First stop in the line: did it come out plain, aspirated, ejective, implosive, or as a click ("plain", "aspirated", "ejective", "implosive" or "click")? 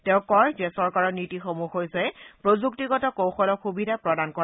plain